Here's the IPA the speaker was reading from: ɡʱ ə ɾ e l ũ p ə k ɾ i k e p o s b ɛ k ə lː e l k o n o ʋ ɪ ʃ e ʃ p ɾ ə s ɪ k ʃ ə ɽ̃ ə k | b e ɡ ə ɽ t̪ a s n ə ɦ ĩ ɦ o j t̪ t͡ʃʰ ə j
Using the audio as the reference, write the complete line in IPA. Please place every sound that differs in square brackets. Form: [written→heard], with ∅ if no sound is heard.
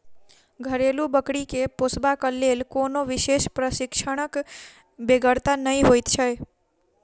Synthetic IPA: ɡʱ ə ɾ e l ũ [p→b] ə k [ɾ→ɽ] i k e p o s b [ɛ→a] k ə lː e l k o n o ʋ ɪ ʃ e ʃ p ɾ ə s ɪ k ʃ ə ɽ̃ ə k | b e ɡ ə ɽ t̪ a [s→∅] n ə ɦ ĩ ɦ o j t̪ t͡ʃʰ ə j

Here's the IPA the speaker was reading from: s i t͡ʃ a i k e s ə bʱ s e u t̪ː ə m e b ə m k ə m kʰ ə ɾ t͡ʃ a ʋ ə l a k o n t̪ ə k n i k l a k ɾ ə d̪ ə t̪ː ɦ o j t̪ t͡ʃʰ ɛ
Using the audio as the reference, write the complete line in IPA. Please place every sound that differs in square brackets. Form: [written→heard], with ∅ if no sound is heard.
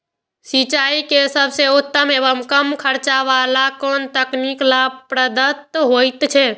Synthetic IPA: s i t͡ʃ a i k e s ə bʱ s e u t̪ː ə m e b ə m k ə m kʰ ə ɾ t͡ʃ a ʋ [ə→a] l a k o n t̪ ə k n i k l a [k→p] ɾ ə d̪ ə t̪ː ɦ o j t̪ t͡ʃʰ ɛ

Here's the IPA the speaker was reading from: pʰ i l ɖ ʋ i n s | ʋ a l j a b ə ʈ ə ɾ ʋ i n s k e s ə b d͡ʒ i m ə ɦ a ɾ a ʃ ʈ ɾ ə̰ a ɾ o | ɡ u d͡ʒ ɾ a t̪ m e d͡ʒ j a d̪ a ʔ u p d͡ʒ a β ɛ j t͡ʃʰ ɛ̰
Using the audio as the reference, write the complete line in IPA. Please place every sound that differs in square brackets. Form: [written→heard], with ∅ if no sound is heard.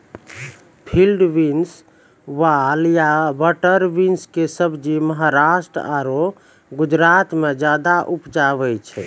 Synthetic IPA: pʰ i l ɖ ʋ i n s | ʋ a l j a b ə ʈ ə ɾ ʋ i n s k e s ə b d͡ʒ i m ə ɦ a ɾ a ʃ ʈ ɾ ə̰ a ɾ o | ɡ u d͡ʒ ɾ a t̪ m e d͡ʒ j a d̪ a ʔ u p d͡ʒ a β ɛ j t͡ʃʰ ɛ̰

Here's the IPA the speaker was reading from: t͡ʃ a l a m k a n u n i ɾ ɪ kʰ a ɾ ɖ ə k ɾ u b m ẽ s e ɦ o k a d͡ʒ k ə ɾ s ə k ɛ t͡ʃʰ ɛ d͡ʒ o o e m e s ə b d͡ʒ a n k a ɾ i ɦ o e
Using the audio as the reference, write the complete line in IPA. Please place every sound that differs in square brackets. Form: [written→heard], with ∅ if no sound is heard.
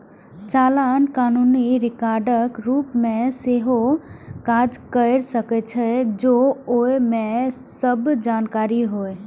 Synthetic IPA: t͡ʃ a l a [m→n] k a n u n i ɾ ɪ [kʰ→k] a ɾ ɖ ə k ɾ u [b→p] m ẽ s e ɦ o k a d͡ʒ k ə ɾ s ə k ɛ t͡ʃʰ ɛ d͡ʒ o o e m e s ə b d͡ʒ a n k a ɾ i ɦ o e

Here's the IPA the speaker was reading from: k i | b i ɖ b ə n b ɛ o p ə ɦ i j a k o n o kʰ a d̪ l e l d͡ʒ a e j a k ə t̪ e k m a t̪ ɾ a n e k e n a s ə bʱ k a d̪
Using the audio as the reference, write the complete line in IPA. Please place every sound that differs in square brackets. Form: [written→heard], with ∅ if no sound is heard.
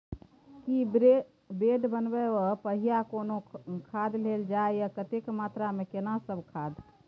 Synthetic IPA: k i | b [i→e] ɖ b ə n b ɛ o p ə ɦ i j a k o n o kʰ a d̪ l e l d͡ʒ a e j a k ə t̪ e k m a t̪ ɾ a [n→m] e k e n a s ə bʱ [k→kʰ] a d̪

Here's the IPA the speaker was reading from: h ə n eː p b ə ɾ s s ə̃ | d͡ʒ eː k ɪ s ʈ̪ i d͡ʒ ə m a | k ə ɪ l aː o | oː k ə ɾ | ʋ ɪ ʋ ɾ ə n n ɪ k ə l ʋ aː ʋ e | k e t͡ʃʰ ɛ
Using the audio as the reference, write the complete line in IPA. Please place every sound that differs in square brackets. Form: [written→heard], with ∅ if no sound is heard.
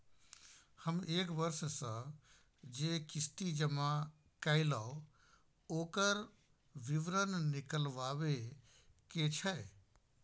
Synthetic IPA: h ə [n→m] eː [p→k] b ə ɾ s s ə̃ | d͡ʒ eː k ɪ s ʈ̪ i d͡ʒ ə m a | k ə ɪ l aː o | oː k ə ɾ | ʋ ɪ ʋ ɾ ə n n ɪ k ə l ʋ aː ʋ e | k e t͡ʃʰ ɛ

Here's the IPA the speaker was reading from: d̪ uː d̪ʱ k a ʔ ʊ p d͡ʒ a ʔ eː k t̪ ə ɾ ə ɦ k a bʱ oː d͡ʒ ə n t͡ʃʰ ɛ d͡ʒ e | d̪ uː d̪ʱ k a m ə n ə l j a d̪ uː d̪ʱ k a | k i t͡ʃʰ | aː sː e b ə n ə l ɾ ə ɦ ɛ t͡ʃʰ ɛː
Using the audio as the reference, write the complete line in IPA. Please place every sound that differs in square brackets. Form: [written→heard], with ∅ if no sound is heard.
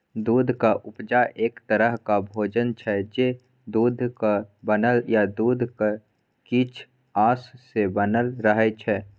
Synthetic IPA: d̪ uː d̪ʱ k a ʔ ʊ p d͡ʒ a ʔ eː k t̪ ə ɾ ə ɦ k a bʱ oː d͡ʒ ə n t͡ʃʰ ɛ d͡ʒ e | d̪ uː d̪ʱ k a [m→b] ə n ə l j a d̪ uː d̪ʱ k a | k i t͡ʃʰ | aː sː e b ə n ə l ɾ ə ɦ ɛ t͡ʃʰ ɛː

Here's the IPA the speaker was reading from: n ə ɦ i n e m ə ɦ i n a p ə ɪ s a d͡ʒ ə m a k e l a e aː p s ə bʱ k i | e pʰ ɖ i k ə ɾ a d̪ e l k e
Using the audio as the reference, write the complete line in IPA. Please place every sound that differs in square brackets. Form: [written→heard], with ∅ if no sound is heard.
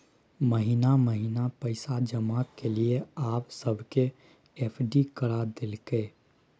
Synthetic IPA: [n→m] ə ɦ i n [e→a] m ə ɦ i n a p ə ɪ s a d͡ʒ ə m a k e l [a→i] e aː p s ə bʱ k [i→e] | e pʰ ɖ i k ə ɾ a d̪ e l k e

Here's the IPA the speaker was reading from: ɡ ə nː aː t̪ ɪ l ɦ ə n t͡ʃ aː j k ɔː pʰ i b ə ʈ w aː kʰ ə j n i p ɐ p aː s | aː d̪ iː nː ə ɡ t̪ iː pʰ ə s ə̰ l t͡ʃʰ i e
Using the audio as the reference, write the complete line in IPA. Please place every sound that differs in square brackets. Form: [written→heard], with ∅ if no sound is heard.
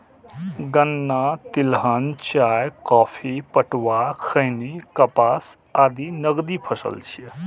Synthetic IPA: ɡ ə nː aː t̪ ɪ l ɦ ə n t͡ʃ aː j k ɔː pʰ i [b→p] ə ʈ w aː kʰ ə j n i [p→k] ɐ p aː s | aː d̪ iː [nː→n] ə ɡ [t̪→d̪] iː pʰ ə s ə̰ l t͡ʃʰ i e

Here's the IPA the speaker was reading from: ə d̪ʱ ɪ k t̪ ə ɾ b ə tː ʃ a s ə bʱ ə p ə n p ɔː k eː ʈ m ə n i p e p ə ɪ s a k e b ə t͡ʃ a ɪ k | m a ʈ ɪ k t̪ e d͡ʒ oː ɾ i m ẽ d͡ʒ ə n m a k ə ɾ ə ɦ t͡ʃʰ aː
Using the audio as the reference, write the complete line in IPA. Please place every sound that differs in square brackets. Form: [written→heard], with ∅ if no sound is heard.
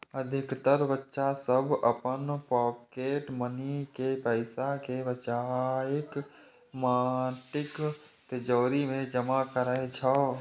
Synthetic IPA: ə d̪ʱ ɪ k t̪ ə ɾ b ə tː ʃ a s ə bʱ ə p ə n p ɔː k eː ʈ m ə n i [p→k] e p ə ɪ s a k e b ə t͡ʃ a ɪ k | m a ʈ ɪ k t̪ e d͡ʒ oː ɾ i m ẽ d͡ʒ ə [n→∅] m a k ə ɾ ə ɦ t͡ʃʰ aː

